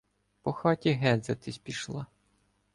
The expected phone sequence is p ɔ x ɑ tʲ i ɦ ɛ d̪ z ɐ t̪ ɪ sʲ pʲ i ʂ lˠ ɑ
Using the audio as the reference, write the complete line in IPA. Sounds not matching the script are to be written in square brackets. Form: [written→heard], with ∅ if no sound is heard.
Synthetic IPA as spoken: p ɔ x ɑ tʲ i ɦ ɛ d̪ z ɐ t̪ ɪ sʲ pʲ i [ʂ→ʃ] lˠ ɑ